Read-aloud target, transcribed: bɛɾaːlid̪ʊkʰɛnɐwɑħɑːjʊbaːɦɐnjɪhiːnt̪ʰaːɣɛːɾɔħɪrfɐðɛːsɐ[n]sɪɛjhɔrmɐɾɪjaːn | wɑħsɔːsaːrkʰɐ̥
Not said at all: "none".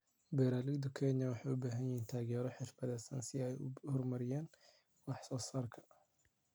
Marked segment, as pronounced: n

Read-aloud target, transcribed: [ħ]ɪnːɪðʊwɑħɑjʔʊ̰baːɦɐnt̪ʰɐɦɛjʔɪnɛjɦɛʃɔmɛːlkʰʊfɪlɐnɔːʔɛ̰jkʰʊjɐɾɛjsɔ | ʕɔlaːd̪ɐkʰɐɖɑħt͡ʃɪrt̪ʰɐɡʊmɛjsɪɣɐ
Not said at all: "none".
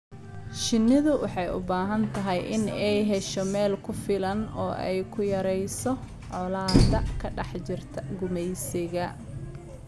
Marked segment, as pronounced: ʃ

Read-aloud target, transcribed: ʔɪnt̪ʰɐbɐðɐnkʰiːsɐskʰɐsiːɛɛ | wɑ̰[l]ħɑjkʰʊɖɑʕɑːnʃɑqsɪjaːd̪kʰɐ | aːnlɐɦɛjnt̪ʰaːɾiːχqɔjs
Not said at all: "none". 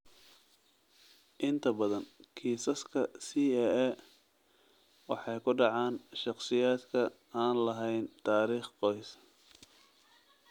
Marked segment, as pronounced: none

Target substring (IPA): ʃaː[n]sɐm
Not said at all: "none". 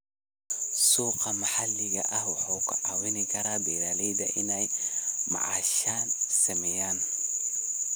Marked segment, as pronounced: n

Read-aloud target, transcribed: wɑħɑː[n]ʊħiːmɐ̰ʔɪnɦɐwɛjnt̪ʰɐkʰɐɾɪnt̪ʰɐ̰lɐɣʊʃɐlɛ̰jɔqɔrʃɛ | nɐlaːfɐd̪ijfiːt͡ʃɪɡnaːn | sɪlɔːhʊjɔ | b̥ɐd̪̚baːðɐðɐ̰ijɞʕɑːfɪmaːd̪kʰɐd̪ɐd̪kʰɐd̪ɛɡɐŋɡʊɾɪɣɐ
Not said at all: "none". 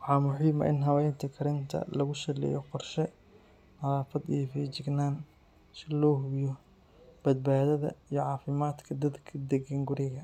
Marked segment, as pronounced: m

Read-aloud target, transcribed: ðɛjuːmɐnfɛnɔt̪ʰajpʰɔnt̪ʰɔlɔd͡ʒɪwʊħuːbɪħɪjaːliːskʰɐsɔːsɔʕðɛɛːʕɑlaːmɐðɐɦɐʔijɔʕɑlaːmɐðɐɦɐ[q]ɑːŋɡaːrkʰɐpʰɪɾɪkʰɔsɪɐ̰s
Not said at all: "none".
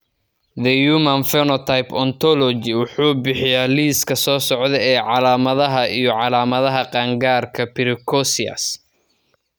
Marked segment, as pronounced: q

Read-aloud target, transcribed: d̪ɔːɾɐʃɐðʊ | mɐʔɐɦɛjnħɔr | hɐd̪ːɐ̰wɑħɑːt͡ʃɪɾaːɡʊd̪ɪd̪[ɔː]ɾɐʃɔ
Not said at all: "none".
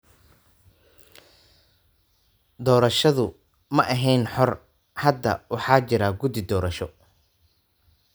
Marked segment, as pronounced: ɔː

